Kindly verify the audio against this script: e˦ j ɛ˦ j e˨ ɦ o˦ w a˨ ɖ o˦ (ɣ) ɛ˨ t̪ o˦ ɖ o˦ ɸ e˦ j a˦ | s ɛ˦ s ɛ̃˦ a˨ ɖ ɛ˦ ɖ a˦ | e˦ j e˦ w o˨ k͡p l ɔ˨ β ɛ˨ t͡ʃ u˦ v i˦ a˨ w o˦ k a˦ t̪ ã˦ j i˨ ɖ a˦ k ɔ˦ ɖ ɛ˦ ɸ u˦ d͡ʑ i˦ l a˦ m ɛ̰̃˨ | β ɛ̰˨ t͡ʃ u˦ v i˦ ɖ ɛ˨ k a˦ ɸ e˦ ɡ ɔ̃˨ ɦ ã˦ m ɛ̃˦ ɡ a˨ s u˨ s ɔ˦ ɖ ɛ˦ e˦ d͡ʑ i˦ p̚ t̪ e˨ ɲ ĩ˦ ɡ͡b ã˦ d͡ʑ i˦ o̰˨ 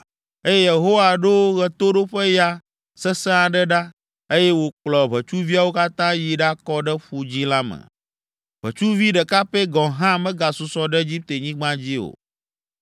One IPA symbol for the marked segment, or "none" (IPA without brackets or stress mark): ɣ